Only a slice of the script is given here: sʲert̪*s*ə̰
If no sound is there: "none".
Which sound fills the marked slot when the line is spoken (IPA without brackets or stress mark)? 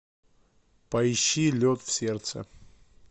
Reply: s